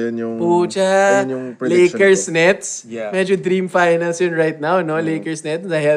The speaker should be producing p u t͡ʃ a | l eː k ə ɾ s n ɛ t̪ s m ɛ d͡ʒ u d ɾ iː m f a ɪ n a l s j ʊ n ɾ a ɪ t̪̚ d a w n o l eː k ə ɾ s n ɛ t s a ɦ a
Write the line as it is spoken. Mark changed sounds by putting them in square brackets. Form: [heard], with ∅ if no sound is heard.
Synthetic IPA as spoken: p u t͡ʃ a | l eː k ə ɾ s n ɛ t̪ s m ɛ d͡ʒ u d ɾ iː m f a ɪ n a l s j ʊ n ɾ a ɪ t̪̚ [n] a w n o l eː k ə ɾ s n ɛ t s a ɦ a